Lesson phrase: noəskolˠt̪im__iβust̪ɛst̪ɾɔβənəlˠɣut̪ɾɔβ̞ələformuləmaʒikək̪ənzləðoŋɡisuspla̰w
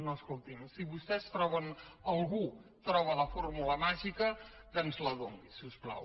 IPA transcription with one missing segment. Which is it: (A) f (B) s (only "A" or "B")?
B